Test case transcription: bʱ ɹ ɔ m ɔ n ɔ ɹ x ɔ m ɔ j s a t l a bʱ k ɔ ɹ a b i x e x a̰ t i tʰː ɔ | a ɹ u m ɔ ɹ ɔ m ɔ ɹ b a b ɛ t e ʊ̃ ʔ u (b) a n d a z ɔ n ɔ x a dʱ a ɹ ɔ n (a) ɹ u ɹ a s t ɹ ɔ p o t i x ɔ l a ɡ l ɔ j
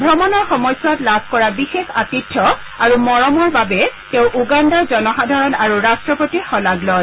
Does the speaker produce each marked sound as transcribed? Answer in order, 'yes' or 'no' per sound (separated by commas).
no, yes